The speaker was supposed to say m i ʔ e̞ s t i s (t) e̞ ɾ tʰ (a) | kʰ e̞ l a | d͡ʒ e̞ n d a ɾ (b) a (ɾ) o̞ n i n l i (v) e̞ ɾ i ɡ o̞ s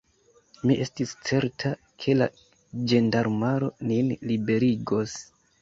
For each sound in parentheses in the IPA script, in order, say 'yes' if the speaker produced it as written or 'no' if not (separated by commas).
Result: no, yes, no, yes, no